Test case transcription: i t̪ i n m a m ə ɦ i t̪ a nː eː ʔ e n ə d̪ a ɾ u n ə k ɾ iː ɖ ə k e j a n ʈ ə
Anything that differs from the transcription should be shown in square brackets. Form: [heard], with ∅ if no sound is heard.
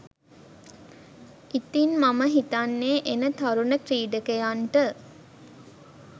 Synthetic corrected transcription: i t̪ i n m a m ə ɦ i t̪ a nː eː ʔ e n ə [t̪] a ɾ u n ə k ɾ iː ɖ ə k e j a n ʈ ə